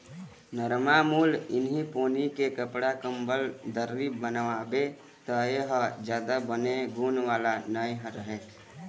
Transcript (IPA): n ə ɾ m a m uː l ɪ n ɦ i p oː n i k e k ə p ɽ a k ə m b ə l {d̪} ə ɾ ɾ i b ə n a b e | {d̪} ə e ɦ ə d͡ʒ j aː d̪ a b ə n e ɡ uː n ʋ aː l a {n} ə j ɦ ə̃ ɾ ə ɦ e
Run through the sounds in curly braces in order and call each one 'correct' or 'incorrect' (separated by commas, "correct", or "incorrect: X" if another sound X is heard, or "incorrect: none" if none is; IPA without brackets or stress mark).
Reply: correct, incorrect: t̪, correct